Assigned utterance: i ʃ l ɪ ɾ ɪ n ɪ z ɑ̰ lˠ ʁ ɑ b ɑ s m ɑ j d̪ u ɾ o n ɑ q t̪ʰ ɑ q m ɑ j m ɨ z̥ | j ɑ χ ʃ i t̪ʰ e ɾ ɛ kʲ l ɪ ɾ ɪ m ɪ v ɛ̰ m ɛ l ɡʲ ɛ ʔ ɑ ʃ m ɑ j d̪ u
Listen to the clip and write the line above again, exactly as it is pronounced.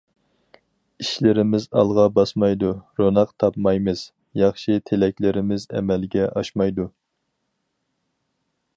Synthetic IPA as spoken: i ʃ l ɪ ɾ ɪ m ɪ z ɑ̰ lˠ ʁ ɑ b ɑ s m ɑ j d̪ u ɾ o n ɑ q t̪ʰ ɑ p m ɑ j m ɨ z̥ | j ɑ χ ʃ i t̪ʰ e l ɛ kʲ l ɪ ɾ ɪ m ɪ z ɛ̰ m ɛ l ɡʲ ɛ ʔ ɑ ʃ m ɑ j d̪ u